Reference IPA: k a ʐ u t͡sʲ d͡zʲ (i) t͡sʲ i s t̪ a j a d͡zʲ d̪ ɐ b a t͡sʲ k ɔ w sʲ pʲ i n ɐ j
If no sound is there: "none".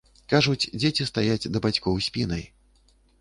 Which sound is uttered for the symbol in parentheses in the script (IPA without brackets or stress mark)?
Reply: e